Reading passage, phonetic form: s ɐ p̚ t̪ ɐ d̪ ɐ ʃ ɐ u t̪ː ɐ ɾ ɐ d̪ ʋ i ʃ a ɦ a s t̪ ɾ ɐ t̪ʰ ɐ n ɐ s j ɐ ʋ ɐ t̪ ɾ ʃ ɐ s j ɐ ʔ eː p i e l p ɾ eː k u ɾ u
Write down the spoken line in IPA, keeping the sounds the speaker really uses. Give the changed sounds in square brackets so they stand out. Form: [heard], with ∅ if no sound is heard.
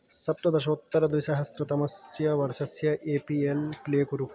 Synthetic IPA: s ɐ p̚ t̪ ɐ d̪ ɐ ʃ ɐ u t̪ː ɐ ɾ ɐ d̪ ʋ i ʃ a ɦ [ɐ] s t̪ ɾ ɐ [t̪] ɐ [m] ɐ s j ɐ ʋ ɐ [∅] ɾ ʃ ɐ s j ɐ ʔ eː p i e l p [l] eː k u ɾ u